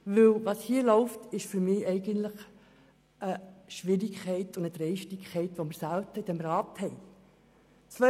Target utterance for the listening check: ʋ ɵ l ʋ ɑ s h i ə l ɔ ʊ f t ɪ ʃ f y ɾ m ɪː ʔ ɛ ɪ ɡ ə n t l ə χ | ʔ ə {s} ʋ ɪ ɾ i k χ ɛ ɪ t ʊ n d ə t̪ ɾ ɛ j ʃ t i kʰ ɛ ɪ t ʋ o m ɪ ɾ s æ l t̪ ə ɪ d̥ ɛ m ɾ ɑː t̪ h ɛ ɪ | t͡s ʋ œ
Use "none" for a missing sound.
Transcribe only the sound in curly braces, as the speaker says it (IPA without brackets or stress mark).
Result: ʃ